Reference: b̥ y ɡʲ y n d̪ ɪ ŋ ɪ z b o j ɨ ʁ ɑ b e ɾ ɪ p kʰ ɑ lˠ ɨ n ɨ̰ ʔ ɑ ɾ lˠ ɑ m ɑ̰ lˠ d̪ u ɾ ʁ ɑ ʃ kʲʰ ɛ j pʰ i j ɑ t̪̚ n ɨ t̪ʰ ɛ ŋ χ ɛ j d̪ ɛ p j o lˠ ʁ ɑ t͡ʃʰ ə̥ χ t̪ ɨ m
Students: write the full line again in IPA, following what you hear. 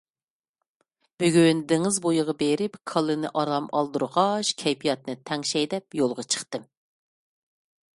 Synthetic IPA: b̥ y ɡʲ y n d̪ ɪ ŋ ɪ z b o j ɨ ʁ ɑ b e ɾ ɪ p kʰ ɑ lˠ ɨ n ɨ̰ ʔ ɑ ɾ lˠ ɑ m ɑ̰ lˠ d̪ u ɾ ʁ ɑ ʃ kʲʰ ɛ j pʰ i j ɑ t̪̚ n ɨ t̪ʰ ɛ ŋ ʃ ɛ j d̪ ɛ p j o lˠ ʁ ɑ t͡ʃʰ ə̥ χ t̪ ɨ m